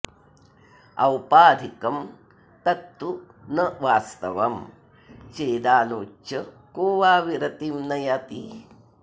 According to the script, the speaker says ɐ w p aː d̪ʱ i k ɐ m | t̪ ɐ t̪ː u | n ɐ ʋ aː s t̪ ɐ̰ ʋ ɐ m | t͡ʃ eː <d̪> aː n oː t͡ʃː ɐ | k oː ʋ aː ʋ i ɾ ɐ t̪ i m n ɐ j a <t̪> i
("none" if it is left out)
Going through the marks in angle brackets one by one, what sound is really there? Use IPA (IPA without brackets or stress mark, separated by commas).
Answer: d̪, t̪